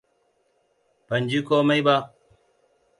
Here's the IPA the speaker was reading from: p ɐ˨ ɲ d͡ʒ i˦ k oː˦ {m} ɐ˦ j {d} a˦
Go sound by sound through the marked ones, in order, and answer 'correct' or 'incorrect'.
correct, incorrect: b

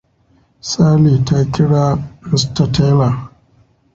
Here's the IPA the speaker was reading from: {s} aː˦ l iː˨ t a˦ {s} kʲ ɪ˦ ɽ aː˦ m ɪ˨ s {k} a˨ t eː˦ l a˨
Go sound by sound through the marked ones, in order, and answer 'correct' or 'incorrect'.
correct, incorrect: none, incorrect: t

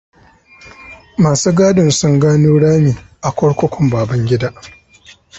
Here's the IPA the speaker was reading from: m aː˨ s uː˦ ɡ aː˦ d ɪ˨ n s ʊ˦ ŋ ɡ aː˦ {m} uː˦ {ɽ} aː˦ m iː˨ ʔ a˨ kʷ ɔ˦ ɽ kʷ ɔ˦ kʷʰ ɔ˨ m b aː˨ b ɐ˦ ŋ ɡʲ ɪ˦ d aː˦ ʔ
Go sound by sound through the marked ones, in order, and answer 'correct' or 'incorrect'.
incorrect: n, correct

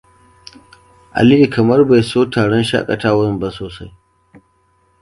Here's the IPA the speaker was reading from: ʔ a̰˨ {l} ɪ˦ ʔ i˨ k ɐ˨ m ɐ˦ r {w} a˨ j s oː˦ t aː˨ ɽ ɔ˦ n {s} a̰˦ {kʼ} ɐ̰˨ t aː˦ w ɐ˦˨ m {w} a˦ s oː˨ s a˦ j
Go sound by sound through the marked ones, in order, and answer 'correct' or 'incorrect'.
correct, incorrect: b, incorrect: ʃ, correct, incorrect: b

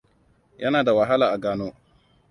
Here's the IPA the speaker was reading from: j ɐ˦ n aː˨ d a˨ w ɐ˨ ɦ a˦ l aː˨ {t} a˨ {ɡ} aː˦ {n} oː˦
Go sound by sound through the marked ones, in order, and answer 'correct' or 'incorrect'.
incorrect: ʔ, correct, correct

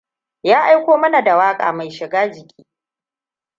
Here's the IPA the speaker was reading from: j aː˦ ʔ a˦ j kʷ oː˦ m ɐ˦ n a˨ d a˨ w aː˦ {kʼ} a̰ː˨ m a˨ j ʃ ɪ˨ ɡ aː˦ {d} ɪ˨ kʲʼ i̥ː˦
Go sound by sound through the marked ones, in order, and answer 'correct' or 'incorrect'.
correct, incorrect: d͡ʒ

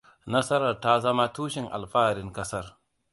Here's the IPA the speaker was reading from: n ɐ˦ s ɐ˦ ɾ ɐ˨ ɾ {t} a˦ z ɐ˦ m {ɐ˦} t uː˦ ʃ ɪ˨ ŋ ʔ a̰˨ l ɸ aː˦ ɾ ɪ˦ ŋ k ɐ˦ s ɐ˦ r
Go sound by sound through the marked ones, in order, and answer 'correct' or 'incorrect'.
correct, incorrect: a˦

